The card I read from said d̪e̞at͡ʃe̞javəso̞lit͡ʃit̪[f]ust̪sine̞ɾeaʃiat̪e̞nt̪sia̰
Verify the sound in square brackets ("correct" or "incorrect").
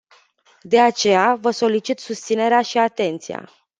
incorrect